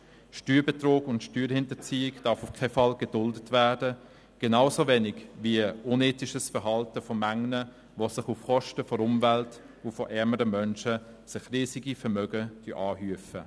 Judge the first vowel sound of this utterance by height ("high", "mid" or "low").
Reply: high